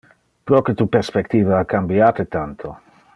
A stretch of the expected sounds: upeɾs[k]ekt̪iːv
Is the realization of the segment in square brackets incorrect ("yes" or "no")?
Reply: yes